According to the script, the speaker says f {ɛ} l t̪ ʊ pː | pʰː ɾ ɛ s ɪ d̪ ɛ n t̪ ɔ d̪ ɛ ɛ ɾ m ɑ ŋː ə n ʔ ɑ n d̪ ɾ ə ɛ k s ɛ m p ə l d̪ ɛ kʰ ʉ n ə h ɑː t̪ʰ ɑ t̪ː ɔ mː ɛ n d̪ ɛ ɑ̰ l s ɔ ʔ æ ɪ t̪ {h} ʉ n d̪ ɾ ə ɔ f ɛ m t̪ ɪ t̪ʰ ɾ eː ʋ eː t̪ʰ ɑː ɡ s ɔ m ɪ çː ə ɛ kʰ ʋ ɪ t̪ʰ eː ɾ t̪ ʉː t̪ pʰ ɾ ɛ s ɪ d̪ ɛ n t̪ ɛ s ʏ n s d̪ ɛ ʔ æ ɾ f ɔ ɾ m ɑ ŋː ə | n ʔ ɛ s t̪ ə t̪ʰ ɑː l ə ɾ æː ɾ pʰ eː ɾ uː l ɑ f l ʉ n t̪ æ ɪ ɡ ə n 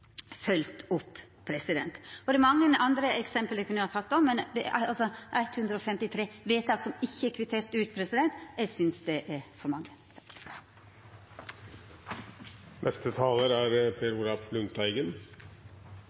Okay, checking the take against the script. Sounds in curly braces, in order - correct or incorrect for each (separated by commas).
incorrect, correct